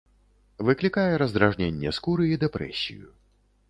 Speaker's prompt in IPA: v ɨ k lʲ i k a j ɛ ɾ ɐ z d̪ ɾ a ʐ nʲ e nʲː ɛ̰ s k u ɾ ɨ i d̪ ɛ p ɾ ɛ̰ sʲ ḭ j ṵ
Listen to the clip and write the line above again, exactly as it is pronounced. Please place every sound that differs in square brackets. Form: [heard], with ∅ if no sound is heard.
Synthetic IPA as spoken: v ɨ k lʲ i k a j ɛ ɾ ɐ z d̪ ɾ a ʐ nʲ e nʲː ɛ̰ s k u ɾ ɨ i d̪ ɛ p ɾ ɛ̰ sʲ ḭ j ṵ